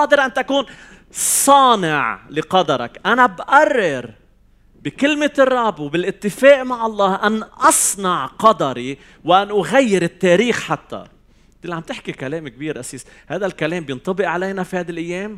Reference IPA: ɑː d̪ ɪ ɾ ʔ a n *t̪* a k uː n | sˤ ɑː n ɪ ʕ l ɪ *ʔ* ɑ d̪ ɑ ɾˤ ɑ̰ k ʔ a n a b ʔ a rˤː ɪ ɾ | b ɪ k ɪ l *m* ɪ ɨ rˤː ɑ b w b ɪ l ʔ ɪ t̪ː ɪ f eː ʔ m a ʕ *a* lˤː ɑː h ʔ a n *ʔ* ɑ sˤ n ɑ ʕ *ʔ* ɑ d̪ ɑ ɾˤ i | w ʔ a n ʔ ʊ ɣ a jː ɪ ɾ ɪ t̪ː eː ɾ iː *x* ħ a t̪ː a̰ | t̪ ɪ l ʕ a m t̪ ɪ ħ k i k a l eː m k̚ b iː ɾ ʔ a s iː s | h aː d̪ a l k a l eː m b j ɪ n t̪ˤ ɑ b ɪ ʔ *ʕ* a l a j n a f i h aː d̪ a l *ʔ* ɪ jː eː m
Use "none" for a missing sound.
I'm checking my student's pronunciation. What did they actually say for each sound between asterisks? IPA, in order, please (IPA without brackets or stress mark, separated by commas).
t̪, q, m, ɑ, ʔ, q, x, ʕ, ʔ